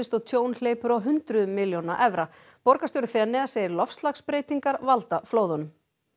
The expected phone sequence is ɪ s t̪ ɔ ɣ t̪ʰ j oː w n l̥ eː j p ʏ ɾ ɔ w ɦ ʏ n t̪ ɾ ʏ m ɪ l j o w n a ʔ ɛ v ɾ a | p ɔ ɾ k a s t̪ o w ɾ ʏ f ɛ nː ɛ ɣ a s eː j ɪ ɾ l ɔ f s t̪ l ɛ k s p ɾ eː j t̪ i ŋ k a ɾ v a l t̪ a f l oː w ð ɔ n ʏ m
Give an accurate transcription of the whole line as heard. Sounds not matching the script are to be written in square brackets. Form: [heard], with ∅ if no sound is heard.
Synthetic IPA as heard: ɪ s t̪ ɔ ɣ t̪ʰ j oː w n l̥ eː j p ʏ ɾ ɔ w ɦ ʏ n t̪ ɾ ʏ m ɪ l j o w n a ʔ ɛ v ɾ a | p ɔ ɾ k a s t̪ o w ɾ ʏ f ɛ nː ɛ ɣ a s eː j ɪ ɾ l ɔ f s t̪ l [a] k s p ɾ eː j t̪ i ŋ k a ɾ v a l t̪ a f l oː w ð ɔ n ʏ m